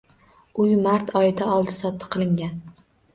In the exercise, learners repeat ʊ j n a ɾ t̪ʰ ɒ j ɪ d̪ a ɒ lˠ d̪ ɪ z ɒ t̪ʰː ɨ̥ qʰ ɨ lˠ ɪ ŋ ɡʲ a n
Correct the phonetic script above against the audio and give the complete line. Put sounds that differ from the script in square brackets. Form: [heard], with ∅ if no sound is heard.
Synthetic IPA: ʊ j [m] a ɾ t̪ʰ ɒ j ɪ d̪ a ɒ lˠ d̪ ɪ [s] ɒ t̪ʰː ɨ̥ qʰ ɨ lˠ ɪ ŋ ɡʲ a n